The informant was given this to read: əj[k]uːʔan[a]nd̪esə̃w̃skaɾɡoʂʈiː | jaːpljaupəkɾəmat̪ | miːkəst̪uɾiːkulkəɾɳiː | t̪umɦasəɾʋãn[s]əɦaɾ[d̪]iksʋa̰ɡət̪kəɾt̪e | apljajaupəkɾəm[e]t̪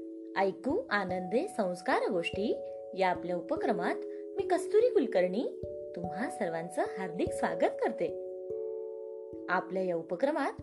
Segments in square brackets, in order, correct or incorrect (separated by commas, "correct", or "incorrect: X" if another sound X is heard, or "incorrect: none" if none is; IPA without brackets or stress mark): correct, incorrect: ə, incorrect: t͡s, correct, incorrect: a